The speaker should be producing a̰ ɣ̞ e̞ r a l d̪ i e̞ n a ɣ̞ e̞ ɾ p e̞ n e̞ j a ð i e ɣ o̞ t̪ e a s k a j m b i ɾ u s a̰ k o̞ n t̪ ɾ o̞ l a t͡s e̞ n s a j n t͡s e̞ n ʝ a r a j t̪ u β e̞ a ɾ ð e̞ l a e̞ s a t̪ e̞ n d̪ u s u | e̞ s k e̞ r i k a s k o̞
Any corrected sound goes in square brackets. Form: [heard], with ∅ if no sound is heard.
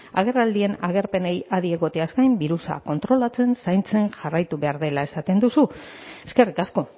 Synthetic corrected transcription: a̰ ɣ̞ e̞ r a l d̪ i e̞ n a ɣ̞ e̞ ɾ p e̞ n e̞ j a ð i e ɣ o̞ t̪ e a s k a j m b i ɾ u s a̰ k o̞ n t̪ ɾ o̞ l a t͡s e̞ n s a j n t͡s e̞ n ʝ a r a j t̪ u β e̞ a ɾ ð e̞ l a e̞ s a t̪ e̞ n d̪ u s u | e̞ s k e̞ r i k a s k o̞